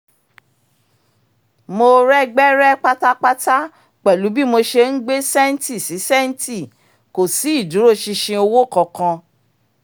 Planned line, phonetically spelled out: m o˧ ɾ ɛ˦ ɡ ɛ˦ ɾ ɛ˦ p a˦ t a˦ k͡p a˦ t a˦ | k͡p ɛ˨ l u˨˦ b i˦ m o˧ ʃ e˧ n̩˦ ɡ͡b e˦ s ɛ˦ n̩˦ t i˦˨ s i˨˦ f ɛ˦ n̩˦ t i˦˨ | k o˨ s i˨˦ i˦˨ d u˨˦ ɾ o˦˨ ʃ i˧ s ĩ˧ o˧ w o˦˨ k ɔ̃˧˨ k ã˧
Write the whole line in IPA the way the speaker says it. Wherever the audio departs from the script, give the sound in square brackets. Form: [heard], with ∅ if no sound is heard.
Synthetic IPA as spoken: m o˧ ɾ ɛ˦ [ɡ͡b] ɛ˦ ɾ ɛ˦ [k͡p] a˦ t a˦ k͡p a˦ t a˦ | k͡p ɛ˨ l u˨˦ b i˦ m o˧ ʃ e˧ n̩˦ ɡ͡b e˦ s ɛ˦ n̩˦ t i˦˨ s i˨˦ [s] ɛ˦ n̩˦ t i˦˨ | k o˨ s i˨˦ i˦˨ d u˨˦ ɾ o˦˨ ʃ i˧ [ʃ] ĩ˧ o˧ w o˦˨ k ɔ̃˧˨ k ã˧